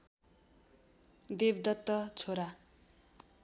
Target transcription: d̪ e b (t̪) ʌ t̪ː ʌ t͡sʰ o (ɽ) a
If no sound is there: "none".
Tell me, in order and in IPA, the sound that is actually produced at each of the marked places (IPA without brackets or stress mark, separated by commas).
d̪, ɾ